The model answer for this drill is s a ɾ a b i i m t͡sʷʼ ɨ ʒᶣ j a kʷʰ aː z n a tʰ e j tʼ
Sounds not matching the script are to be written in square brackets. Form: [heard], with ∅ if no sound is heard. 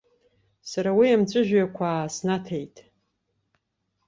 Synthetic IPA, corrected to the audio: s a ɾ a [w] i [a] m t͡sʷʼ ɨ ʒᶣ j a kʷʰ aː [s] n a tʰ e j tʼ